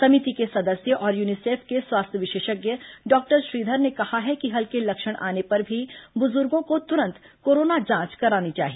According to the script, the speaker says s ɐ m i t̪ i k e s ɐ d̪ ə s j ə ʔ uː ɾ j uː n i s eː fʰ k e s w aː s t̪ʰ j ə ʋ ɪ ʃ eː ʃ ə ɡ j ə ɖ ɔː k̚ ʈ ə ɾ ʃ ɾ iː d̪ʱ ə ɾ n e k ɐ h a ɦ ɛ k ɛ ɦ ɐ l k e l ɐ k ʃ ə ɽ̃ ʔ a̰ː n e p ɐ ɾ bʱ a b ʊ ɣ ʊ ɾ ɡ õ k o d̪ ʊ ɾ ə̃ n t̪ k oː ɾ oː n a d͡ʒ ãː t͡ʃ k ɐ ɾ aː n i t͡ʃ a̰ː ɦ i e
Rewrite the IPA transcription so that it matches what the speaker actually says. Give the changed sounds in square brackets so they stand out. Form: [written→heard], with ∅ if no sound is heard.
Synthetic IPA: s ɐ m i t̪ i k e s ɐ d̪ ə s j ə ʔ [uː→ɔː] ɾ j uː n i s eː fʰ k e s w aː s t̪ʰ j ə ʋ ɪ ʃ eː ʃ ə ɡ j ə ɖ ɔː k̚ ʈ ə ɾ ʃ ɾ iː d̪ʱ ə ɾ n e k ɐ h a ɦ ɛ k [ɛ→i] ɦ ɐ l k e l ɐ k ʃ ə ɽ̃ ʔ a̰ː n e p ɐ ɾ bʱ [a→i] b ʊ [ɣ→z] ʊ ɾ ɡ õ k o [d̪→t̪] ʊ ɾ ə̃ n t̪ k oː ɾ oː n a d͡ʒ ãː t͡ʃ k ɐ ɾ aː n i t͡ʃ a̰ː ɦ i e